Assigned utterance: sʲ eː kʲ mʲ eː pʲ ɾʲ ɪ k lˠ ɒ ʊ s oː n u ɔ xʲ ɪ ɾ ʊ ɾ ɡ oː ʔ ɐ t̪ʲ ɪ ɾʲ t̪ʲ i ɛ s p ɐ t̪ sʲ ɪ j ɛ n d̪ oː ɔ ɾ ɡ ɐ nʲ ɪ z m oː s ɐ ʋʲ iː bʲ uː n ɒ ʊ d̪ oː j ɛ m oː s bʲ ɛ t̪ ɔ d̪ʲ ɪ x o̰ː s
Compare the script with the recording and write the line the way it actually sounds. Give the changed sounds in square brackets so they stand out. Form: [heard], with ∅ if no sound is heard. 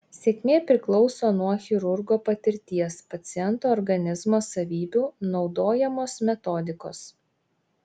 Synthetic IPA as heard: sʲ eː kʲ mʲ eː pʲ ɾʲ ɪ k lˠ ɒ ʊ s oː n u ɔ xʲ ɪ ɾ ʊ ɾ ɡ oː [p] ɐ t̪ʲ ɪ ɾʲ t̪ʲ i ɛ s p ɐ t̪ sʲ ɪ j ɛ n [t̪] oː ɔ ɾ ɡ ɐ nʲ ɪ z m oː s ɐ ʋʲ iː bʲ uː n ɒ ʊ d̪ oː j ɛ m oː s [mʲ] ɛ t̪ ɔ d̪ʲ ɪ [k] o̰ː s